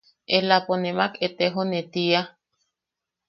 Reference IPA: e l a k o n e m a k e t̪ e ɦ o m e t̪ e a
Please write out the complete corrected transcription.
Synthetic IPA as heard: e l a p o n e m a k e t̪ e ɦ o n e t̪ i a